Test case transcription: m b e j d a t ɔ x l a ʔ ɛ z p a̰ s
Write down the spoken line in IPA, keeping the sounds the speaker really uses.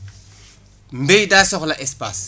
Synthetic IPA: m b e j d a s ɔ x l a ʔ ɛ s p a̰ s